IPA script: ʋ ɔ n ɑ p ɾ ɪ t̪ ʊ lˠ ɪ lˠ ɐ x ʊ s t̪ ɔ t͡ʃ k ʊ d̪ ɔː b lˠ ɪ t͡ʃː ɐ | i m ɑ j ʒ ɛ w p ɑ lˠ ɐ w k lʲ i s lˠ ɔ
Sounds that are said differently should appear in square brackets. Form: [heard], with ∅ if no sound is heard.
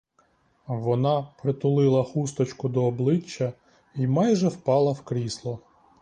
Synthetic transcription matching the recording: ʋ ɔ n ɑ p ɾ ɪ t̪ ʊ lˠ ɪ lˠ ɐ x [u] s t̪ ɔ t͡ʃ k ʊ d̪ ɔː b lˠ ɪ t͡ʃː ɐ | i m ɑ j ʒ ɛ w p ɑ lˠ ɐ w k [ɾʲ] i s lˠ ɔ